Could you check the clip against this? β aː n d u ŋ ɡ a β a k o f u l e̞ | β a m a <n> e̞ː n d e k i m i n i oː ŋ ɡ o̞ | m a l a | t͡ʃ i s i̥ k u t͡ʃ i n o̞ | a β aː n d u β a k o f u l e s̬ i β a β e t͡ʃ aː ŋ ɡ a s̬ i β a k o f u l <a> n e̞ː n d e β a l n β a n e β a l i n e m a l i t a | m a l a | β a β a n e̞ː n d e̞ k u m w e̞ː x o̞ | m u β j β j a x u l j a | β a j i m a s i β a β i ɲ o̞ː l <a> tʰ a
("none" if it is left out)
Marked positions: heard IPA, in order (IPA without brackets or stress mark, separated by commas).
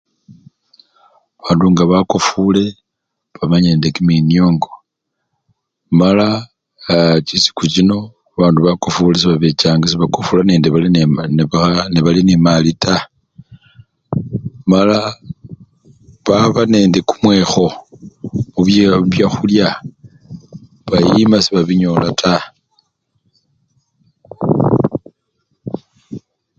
ɲ, a, a